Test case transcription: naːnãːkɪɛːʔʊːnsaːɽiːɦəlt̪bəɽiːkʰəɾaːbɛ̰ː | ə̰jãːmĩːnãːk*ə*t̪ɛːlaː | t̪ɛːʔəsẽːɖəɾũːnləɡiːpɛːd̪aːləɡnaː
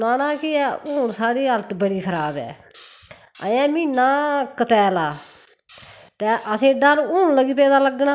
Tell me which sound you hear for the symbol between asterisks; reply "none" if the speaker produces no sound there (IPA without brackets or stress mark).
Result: ə